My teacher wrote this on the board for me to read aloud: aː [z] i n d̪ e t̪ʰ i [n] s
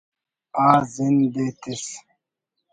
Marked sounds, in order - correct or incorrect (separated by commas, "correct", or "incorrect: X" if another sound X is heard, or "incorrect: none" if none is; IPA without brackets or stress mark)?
correct, incorrect: none